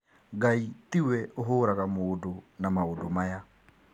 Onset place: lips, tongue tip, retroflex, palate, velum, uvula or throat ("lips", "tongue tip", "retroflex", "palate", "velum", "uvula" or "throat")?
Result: velum